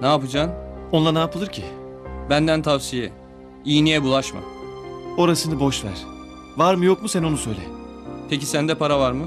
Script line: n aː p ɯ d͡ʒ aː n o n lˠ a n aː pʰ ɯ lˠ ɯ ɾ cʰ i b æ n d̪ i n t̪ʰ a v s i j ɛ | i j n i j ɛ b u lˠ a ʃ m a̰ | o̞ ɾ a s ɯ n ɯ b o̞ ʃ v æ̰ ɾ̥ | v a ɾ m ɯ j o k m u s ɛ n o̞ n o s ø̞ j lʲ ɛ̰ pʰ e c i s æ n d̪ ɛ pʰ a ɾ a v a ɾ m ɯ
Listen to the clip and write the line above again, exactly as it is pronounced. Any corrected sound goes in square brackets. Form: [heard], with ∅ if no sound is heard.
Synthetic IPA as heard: n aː p ɯ d͡ʒ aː n o n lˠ a n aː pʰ ɯ lˠ ɯ ɾ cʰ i b æ n d̪ [æ] n t̪ʰ a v s i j ɛ | i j n i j ɛ b u lˠ a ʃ m a̰ | o̞ ɾ a s ɯ n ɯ b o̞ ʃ v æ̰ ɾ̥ | v a ɾ m ɯ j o k m u s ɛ n o̞ n [u] s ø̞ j lʲ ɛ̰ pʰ e c i s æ n d̪ ɛ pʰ a ɾ a v a ɾ m ɯ